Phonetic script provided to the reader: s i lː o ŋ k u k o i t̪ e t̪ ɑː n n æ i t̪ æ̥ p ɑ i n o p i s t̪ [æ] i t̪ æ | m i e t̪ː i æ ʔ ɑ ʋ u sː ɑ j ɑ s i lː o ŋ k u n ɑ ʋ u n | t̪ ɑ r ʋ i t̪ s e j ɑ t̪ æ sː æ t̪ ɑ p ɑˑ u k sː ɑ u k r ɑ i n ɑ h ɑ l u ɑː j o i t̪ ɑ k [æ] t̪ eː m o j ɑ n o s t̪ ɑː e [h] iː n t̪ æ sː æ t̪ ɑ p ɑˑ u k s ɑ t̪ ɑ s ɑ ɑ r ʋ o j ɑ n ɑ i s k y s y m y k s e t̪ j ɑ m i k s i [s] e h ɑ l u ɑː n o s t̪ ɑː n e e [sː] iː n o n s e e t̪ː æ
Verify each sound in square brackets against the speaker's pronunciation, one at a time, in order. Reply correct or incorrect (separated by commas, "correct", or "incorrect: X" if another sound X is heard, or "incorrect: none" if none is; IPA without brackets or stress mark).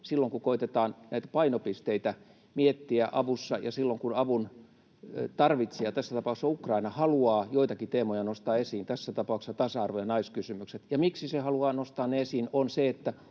incorrect: e, incorrect: i, incorrect: s, correct, incorrect: s